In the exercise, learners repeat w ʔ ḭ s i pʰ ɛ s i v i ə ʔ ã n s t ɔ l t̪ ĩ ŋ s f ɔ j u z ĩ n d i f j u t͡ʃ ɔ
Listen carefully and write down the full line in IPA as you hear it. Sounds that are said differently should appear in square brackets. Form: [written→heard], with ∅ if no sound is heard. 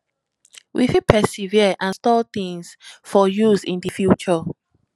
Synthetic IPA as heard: w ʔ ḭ [s→f] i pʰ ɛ s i v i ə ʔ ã n s t ɔ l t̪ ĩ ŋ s f ɔ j u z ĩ n d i f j u t͡ʃ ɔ

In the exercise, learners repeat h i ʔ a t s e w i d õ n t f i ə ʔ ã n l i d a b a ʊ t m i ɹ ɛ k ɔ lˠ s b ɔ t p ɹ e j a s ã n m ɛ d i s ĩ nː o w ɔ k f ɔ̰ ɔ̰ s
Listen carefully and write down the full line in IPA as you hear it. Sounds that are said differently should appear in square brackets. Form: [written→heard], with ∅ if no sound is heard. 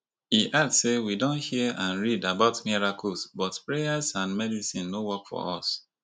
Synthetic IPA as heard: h i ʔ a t s e w i d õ n t [f→h] i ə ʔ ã n [l→ɹ] i d a b a ʊ t m i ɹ [ɛ→a] k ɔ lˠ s b ɔ t p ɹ e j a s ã n m ɛ d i s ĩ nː o w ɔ k f ɔ̰ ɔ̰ s

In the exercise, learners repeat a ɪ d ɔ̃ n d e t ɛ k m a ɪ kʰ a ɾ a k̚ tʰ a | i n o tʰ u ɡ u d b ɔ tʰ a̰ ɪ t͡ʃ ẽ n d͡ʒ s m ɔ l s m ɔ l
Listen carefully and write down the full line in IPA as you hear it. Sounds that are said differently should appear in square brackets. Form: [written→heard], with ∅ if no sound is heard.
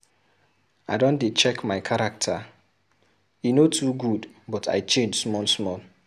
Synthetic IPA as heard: a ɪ d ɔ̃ n d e [t→t͡ʃ] ɛ k m a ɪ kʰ a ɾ a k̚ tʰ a | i n o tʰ u ɡ u d b ɔ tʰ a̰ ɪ t͡ʃ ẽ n d͡ʒ s m ɔ l s m ɔ l

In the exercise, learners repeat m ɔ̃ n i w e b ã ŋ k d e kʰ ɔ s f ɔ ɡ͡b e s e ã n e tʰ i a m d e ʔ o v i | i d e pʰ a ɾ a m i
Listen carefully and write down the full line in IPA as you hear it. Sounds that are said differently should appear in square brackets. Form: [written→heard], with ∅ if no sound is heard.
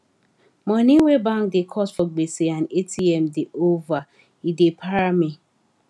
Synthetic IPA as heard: m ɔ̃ n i w e b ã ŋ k d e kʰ ɔ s f ɔ ɡ͡b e s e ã n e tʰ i [a→ɛ] m d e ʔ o v [i→a] | i d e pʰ a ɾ a m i

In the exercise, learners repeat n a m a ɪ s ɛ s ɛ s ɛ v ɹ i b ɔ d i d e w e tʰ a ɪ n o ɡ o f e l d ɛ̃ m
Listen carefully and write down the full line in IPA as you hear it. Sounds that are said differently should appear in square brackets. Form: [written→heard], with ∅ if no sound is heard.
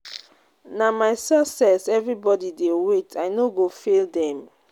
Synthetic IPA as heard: n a m a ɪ s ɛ s ɛ s ɛ v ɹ i b ɔ d i d e w e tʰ a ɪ n o ɡ o f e l d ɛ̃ m

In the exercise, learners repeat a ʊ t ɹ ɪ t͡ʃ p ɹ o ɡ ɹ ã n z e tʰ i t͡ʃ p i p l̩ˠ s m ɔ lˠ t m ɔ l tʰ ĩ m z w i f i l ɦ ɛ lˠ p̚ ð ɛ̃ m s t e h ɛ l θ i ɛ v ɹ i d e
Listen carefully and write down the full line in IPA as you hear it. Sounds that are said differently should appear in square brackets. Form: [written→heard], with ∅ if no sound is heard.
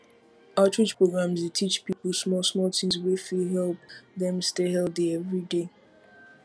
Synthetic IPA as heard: a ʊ t ɹ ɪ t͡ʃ p ɹ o ɡ ɹ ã [n→m] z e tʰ i t͡ʃ p i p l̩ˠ s m ɔ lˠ [t→s] m ɔ l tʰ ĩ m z w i f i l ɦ ɛ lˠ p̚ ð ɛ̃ m s t e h ɛ l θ i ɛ v ɹ i d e

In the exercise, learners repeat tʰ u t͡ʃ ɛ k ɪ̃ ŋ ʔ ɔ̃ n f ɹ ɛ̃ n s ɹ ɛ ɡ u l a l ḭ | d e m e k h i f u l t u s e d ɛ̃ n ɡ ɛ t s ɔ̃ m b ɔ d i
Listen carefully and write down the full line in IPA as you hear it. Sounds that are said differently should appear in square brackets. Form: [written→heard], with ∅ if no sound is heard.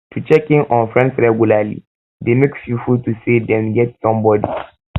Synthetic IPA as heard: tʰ u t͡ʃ ɛ k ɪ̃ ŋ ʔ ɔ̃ n f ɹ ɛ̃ n s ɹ ɛ ɡ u l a l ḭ | d e m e k [h→f] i f u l t u s e d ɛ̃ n ɡ ɛ t s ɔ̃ m b ɔ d i

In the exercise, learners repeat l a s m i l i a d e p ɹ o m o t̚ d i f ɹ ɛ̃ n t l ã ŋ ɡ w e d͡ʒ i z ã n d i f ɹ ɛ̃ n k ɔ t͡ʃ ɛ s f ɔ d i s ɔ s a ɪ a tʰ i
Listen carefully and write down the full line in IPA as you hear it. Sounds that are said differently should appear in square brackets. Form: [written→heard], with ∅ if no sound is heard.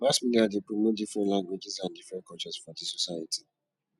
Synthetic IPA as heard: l a s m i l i a d e p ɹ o m o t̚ d i f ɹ ɛ̃ n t l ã ŋ ɡ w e d͡ʒ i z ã n d i f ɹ ɛ̃ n k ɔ t͡ʃ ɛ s f ɔ d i s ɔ s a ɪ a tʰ i

